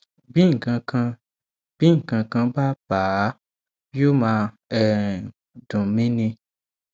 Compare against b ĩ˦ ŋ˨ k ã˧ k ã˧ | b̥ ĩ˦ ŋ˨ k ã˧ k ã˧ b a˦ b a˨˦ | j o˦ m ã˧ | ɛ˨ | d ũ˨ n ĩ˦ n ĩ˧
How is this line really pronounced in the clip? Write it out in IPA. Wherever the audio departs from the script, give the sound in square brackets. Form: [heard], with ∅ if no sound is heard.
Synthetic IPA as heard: b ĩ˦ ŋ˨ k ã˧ k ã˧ | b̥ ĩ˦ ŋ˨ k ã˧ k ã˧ b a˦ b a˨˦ | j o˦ m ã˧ | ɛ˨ | d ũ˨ [m] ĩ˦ n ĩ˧